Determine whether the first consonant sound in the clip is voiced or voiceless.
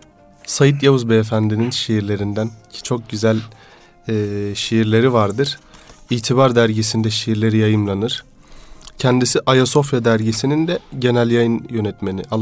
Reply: voiceless